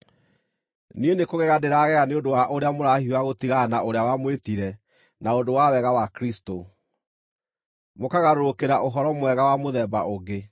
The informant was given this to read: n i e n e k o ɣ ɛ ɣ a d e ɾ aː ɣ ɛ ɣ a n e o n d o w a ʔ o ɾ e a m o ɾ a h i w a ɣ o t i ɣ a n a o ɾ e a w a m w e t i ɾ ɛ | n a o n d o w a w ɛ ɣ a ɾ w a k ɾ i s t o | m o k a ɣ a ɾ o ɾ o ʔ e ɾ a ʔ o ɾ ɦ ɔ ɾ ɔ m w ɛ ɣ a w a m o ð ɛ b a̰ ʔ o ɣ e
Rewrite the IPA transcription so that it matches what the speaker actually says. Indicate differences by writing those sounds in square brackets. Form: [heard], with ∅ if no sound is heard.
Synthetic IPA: n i e n e k o ɣ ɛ ɣ a d e ɾ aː ɣ ɛ ɣ a n e o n d o w a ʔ o ɾ e a m o ɾ a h i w a ɣ o t i ɣ a n a o ɾ e a w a m w e t i ɾ ɛ | n a o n d o w a w ɛ ɣ a [∅] w a k ɾ i s t o | m o k a ɣ a ɾ o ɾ o [k] e ɾ a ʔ o [∅] ɦ ɔ ɾ ɔ m w ɛ ɣ a w a m o ð ɛ b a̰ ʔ o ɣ e